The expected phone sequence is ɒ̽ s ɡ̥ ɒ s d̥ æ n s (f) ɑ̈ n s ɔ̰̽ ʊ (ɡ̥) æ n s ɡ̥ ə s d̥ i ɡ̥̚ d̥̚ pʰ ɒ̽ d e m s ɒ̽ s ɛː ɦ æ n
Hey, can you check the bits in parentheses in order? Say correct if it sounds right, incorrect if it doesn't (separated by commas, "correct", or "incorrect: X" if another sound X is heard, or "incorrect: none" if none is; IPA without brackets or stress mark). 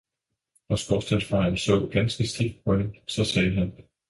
correct, correct